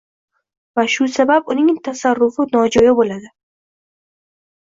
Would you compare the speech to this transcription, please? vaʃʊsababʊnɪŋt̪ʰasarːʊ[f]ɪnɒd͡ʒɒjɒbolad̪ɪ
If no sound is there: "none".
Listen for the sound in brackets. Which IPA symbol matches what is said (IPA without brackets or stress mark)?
f